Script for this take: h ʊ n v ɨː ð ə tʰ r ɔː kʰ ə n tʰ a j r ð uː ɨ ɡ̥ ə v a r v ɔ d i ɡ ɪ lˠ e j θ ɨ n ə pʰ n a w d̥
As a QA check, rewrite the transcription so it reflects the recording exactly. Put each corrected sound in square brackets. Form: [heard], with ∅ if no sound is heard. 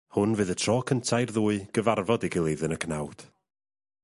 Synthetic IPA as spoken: h ʊ n v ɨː ð ə tʰ r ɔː kʰ ə n tʰ a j r ð uː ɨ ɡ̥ ə v a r v ɔ d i ɡ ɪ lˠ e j [ð] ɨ n ə [kʰ] n a w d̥